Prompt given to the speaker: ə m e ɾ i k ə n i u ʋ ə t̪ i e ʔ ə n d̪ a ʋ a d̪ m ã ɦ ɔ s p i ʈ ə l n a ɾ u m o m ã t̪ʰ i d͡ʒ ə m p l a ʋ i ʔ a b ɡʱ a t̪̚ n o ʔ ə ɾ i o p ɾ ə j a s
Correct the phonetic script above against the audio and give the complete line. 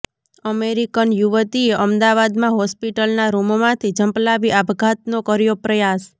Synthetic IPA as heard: ə m e ɾ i k ə n j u ʋ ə t̪ i e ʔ ə m d̪ a ʋ a d̪ m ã ɦ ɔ s p i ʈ ə l n a ɾ u m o m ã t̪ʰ i d͡ʒ ə m p l a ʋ i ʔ a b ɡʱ a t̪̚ n o k ə ɾ j o p ɾ ə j a s

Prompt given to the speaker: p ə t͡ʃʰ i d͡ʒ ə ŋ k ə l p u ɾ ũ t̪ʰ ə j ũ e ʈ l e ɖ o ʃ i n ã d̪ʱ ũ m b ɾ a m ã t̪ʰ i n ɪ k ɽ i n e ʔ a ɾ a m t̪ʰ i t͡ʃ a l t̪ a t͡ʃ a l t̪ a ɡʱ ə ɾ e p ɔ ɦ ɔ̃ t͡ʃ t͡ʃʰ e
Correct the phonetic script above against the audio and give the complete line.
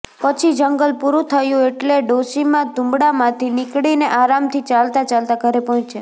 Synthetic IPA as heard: p ə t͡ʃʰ i d͡ʒ ə ŋ ɡ ə l p u ɾ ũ t̪ʰ ə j ũ e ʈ l e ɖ o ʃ i m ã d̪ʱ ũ m b ɽ a m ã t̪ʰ i n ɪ k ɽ i n e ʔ a ɾ a m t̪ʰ i t͡ʃ a l t̪ a t͡ʃ a l t̪ a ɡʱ ə ɾ e p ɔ ɦ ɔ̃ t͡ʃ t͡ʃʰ e

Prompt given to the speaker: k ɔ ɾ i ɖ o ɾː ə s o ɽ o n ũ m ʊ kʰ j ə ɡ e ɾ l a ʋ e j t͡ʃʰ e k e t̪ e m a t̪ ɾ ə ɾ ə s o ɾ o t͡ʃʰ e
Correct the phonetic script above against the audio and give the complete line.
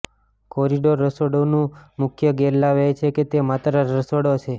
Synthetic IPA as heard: k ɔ ɾ i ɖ o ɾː ə s o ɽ o n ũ m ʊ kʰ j ə ɡ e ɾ l a ʋ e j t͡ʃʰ e k e t̪ e m a t̪ ɾ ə ɾ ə s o ɽ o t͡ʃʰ e

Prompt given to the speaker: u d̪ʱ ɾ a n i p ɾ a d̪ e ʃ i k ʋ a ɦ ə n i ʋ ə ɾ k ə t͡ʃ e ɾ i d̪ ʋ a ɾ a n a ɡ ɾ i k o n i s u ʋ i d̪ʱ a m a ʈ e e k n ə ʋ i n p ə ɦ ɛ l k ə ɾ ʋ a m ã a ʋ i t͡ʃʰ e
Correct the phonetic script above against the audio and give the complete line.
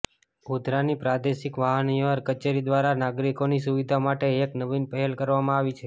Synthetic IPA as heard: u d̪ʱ ɾ a n i p ɾ a d̪ e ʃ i k ʋ a ɦ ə n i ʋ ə ɾ k ə t͡ʃ e ɾ i d̪ ʋ a ɾ a n a ɡ ɾ i k o n i s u ʋ i d̪ʱ a m a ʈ e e k n ə ʋ i n p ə ɦ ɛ l k ə ɾ ʋ a m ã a ʋ i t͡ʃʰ e

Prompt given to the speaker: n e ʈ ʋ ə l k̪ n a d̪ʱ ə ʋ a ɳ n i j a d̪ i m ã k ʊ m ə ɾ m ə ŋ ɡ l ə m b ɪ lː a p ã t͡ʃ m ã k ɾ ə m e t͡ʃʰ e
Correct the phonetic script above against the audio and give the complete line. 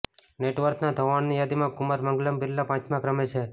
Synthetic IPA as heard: n e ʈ ʋ ə ɾ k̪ n a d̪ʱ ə ʋ a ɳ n i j a d̪ i m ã k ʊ m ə ɾ m ə ŋ ɡ l ə m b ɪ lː a p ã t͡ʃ m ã k ɾ ə m e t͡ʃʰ e

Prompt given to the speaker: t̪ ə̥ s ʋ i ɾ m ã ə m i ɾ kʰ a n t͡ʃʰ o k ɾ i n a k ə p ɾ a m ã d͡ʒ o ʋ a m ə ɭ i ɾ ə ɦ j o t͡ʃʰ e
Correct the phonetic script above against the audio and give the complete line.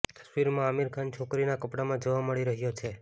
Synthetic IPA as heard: t̪ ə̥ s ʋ i ɾ m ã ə m i ɾ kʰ a n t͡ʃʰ o k ɾ i n a k ə p ɽ a m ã d͡ʒ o ʋ a m ə ɭ i ɾ ə ɦ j o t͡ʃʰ e

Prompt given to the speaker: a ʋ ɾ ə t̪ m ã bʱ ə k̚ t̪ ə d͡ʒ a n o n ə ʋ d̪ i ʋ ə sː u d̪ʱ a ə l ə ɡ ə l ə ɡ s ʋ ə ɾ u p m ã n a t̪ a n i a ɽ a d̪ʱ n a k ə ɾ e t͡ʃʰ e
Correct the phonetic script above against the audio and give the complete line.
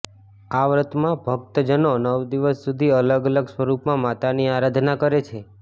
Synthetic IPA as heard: a ʋ ɾ ə t̪ m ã bʱ ə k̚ t̪ ə d͡ʒ ə n o n ə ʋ d̪ i ʋ ə sː u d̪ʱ i ə l ə ɡ ə l ə ɡ s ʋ ə ɾ u p m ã m a t̪ a n i a ɾ a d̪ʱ n a k ə ɾ e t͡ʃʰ e

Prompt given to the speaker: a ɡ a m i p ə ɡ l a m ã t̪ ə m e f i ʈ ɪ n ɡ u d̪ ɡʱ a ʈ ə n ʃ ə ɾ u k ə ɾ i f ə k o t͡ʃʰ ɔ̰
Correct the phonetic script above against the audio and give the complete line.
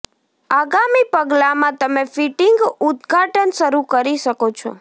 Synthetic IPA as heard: a ɡ a m i p ə ɡ l a m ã t̪ ə m e f i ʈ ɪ ŋ ɡ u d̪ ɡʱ a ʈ ə n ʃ ə ɾ u k ə ɾ i ʃ ə k o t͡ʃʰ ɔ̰

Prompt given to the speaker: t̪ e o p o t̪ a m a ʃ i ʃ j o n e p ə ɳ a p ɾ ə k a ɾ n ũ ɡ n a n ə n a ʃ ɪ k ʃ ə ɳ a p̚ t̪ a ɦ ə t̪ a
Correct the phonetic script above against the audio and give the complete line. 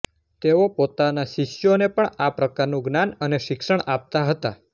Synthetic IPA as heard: t̪ e o p o t̪ a n a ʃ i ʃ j o n e p ə ɳ a p ɾ ə k a ɾ n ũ ɡ n a n ə n e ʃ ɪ k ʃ ə ɳ a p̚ t̪ a ɦ ə t̪ a

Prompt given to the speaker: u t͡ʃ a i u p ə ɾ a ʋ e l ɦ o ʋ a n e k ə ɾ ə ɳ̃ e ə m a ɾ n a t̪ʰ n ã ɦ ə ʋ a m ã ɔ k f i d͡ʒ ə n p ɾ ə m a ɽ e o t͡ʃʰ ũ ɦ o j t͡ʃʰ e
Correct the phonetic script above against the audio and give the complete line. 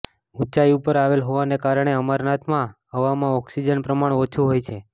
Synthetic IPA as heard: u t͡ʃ a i u p ə ɾ a ʋ e l ɦ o ʋ a n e k a ɾ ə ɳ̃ e ə m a ɾ n a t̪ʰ m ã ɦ ə ʋ a m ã ɔ k s i d͡ʒ ə n p ɾ ə m a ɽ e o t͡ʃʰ u ɦ o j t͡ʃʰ e

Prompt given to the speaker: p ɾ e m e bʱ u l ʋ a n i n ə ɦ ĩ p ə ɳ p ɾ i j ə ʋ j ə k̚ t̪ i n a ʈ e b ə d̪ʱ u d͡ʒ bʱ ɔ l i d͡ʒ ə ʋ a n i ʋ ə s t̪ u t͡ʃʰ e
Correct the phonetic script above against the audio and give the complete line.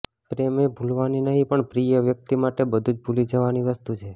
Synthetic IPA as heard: p ɾ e m e bʱ u l ʋ a n i n ə ɦ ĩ p ə ɳ p ɾ i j ə ʋ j ə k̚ t̪ i m a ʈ e b ə d̪ʱ u d͡ʒ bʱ u l i d͡ʒ ə ʋ a n i ʋ ə s t̪ u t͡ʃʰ e

